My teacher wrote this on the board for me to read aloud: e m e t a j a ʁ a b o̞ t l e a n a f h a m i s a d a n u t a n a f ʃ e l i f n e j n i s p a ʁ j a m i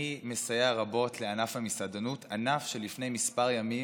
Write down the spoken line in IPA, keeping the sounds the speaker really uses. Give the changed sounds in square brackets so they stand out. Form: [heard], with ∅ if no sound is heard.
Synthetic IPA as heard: [i] m e [s] a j a ʁ a b o̞ t l e a n a f h a m i s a d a n u t a n a f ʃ e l i f n e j [m] i s p a ʁ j a m i